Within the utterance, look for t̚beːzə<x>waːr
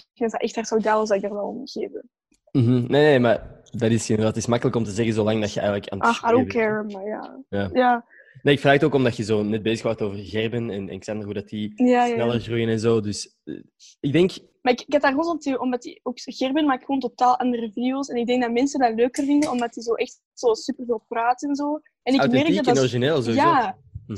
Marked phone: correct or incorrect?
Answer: correct